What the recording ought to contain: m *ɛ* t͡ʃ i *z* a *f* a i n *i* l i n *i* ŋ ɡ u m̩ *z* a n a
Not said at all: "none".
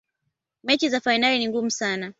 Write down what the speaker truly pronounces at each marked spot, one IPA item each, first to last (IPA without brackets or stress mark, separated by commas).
ɛ, z, f, a, i, s